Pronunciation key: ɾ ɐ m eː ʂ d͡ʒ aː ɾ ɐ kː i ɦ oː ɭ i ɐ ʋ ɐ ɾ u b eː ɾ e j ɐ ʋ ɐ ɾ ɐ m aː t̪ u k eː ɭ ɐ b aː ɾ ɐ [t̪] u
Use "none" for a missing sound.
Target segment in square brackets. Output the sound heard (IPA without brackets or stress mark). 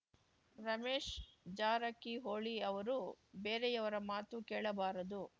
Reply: d̪